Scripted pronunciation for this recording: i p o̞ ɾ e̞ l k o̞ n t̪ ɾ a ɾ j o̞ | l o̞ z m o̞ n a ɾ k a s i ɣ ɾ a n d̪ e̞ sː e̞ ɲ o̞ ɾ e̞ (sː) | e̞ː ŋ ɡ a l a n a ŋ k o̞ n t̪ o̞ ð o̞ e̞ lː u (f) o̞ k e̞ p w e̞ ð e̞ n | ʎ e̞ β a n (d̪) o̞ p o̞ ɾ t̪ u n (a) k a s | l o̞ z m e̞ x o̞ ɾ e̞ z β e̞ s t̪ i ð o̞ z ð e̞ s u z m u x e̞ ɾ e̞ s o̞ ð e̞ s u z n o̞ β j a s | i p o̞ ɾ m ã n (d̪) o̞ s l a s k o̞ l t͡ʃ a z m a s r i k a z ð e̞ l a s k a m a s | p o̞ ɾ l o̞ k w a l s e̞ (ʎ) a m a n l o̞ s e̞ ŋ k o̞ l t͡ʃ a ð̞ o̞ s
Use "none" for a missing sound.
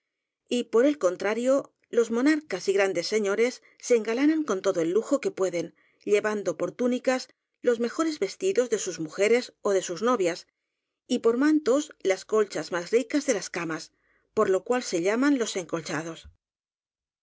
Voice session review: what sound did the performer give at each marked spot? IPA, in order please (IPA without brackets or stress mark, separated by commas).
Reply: sː, x, d̪, i, t̪, ʎ